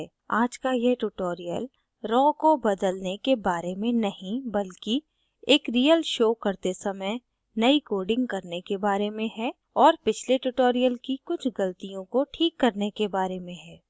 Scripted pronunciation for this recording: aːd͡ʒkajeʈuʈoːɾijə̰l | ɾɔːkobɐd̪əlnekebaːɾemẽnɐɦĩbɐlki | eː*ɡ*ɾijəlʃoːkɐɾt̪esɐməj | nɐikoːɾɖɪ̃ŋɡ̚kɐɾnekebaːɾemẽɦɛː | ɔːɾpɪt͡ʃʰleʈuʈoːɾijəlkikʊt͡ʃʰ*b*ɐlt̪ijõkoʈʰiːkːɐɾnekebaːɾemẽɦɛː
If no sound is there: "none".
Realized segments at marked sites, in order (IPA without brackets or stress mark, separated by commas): k, ɡ